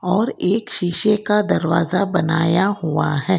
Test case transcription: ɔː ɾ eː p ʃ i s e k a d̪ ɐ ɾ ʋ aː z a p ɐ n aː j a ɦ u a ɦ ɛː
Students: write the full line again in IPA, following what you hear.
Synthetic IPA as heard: ɔː ɾ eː k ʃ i ʃ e k a d̪ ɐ ɾ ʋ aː z a b ɐ n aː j a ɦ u a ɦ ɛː